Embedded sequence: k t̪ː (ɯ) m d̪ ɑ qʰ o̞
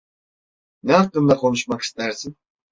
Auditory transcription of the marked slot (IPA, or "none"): ɯ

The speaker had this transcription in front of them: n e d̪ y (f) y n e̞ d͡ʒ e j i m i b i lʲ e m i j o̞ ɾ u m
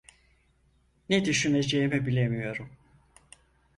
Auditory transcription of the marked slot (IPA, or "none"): ʃ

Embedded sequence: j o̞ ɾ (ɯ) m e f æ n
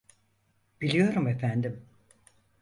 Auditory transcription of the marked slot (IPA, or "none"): u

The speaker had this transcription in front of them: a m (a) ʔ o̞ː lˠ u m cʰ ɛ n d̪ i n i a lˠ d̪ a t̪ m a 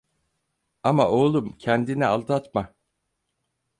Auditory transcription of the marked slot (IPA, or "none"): a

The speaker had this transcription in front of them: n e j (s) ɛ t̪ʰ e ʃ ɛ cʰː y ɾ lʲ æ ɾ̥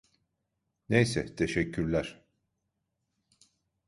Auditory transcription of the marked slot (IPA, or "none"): s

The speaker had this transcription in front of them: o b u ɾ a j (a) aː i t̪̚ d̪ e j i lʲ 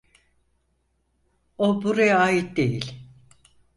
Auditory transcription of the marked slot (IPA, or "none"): a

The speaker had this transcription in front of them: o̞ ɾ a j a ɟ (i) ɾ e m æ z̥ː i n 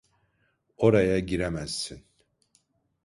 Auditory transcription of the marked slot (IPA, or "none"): i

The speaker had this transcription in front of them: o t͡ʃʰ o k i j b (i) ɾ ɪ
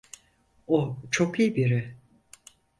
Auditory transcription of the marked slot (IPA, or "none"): i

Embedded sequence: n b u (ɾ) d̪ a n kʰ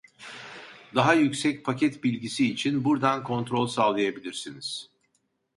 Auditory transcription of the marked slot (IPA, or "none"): ɾ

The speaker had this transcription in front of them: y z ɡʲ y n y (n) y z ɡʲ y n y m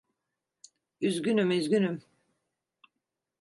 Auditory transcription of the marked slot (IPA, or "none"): m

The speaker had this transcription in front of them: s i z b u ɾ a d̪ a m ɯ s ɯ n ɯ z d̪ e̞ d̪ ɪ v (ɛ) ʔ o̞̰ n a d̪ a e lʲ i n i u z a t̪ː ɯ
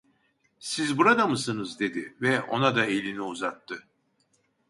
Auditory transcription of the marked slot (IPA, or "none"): ɛ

